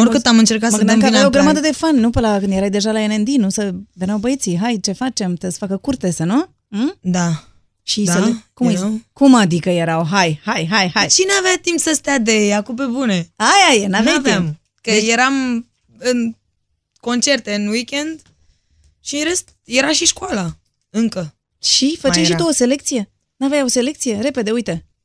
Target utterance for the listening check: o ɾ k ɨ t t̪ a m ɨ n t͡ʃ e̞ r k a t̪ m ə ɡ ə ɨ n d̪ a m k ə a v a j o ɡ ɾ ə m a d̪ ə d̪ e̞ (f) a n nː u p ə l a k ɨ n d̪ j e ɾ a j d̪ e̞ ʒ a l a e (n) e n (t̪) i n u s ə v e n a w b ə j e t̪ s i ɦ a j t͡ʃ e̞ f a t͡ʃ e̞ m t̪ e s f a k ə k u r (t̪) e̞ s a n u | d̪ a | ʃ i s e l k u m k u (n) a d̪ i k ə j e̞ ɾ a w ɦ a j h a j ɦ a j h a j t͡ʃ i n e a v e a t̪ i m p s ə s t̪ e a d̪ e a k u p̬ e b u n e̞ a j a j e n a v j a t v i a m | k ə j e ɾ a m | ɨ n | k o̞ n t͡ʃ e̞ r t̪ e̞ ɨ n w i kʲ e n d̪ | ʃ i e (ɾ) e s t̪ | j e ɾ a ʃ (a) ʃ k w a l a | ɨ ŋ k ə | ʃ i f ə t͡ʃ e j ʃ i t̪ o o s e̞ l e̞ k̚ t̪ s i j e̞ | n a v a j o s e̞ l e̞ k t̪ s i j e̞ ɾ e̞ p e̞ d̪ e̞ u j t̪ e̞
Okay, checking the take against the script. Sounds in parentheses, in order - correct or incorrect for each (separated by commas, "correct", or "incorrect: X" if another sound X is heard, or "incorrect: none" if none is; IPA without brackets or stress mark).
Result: correct, correct, incorrect: d̪, correct, incorrect: m, correct, incorrect: i